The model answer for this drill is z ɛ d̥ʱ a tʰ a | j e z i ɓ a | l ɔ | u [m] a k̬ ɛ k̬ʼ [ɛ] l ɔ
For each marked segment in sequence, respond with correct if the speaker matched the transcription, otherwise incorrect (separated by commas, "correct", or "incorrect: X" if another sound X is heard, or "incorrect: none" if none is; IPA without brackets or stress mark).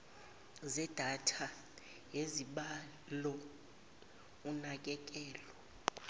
incorrect: n, incorrect: ɛː